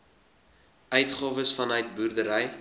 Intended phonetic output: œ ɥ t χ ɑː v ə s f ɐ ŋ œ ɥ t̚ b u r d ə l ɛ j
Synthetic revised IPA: œ ɥ t χ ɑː v ə s f ɐ n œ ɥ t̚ b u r d ə ɾ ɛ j

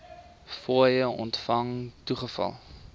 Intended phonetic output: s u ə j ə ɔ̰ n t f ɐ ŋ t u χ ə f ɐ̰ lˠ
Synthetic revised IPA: f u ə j ə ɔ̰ n t f ɐ ŋ t u χ ə f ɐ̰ lˠ

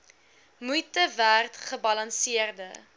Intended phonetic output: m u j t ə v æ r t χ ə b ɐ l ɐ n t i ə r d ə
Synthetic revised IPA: m u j t ə v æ r t χ ə b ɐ l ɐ n s i ə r d ə

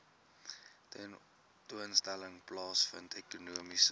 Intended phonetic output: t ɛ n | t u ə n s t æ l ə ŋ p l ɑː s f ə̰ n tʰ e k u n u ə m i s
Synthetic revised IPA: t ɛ n | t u ə n s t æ l ə ŋ p l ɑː s f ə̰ n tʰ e k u n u ə m i s

